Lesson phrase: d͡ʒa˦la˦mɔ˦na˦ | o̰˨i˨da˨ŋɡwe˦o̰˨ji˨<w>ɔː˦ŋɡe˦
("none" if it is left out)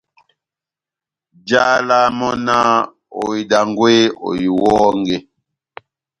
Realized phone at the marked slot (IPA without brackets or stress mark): w